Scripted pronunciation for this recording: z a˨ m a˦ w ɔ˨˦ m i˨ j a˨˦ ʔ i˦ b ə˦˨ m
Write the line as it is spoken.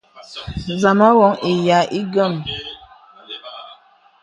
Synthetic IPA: z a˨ m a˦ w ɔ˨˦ ŋ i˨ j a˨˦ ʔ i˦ ɡ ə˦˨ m